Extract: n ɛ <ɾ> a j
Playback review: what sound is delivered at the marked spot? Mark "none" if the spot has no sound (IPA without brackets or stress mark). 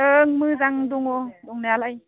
l